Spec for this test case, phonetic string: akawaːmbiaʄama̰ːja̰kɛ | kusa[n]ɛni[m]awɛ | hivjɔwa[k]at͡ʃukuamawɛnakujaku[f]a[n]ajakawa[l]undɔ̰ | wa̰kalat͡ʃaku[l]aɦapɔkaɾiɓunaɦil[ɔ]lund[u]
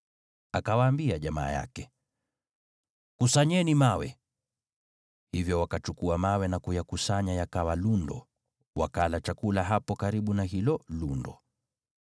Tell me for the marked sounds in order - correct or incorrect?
incorrect, correct, correct, incorrect, incorrect, correct, correct, correct, incorrect

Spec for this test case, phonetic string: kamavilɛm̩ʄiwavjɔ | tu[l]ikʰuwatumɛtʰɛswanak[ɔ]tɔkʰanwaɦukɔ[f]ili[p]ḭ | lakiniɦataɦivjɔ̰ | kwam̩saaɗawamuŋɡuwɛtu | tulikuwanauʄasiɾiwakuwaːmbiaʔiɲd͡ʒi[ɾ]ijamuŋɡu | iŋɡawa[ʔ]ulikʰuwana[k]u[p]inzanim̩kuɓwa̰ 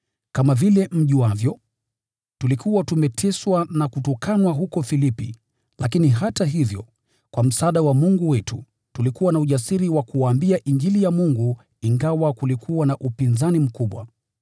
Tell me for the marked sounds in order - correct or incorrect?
correct, incorrect, correct, correct, incorrect, incorrect, incorrect, correct

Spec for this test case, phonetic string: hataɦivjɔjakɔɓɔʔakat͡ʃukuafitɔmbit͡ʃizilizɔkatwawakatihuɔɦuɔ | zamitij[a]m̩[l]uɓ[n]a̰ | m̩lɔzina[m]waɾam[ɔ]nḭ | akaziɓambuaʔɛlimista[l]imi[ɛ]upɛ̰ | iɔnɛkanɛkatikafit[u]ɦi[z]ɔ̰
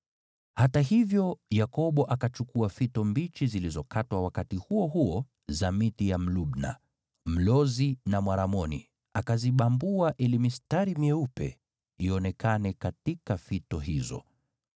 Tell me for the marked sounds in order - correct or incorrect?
correct, correct, correct, correct, correct, incorrect, correct, incorrect, correct

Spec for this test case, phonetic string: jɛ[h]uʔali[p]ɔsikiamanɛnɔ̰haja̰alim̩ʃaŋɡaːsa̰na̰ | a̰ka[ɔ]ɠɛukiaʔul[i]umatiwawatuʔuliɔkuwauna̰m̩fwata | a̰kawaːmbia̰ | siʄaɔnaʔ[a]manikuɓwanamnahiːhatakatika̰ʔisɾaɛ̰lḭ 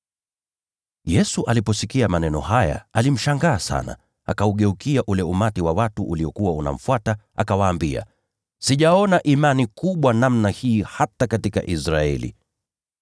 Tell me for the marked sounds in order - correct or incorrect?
incorrect, correct, incorrect, incorrect, incorrect

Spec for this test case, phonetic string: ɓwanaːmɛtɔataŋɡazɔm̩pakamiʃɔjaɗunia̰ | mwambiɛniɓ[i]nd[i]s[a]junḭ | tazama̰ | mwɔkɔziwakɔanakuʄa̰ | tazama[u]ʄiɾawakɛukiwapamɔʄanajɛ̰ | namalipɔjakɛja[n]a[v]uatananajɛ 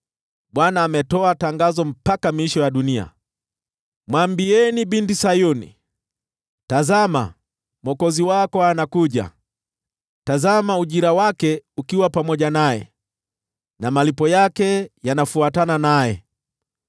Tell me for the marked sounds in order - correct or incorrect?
correct, correct, correct, correct, correct, incorrect

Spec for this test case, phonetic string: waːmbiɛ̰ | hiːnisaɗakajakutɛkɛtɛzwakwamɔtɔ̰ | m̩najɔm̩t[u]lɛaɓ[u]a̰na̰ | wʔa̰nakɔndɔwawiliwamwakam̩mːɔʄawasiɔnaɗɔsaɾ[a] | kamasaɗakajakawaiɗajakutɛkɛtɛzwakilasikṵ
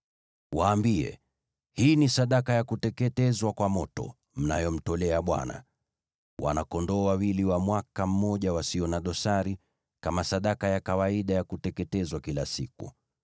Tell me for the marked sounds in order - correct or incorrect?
incorrect, incorrect, incorrect

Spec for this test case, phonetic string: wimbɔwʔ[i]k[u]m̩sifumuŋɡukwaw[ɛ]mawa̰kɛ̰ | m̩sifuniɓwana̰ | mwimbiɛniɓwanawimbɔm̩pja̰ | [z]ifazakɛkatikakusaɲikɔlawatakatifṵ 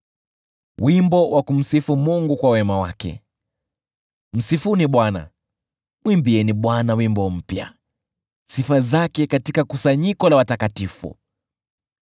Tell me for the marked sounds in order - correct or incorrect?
incorrect, correct, correct, incorrect

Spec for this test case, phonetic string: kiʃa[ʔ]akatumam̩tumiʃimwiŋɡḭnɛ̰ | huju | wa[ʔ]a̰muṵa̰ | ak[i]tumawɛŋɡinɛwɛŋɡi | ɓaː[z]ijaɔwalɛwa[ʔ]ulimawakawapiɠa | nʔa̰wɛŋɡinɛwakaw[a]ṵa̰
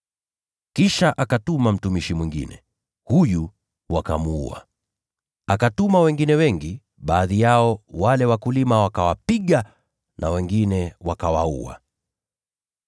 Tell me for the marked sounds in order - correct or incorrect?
correct, incorrect, incorrect, incorrect, incorrect, correct

